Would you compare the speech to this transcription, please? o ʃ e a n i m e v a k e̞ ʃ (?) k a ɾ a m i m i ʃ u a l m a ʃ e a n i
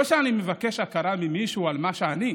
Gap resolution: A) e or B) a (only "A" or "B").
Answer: B